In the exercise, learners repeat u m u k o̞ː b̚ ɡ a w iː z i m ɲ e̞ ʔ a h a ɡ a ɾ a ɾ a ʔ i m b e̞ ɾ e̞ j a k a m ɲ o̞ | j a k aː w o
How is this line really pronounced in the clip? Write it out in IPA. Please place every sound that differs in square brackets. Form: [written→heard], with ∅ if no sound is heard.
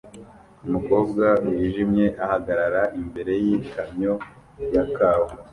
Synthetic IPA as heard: u m u k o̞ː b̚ ɡ a w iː [z→ʒ] i m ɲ e̞ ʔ a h a ɡ a ɾ a ɾ a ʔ i m b e̞ ɾ e̞ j [a→i] k a m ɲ o̞ | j a k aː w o